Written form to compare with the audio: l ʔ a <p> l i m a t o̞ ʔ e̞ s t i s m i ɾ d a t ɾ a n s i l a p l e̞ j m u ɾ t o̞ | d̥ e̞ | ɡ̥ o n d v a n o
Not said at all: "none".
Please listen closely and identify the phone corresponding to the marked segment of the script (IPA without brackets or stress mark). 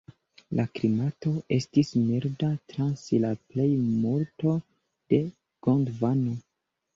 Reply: k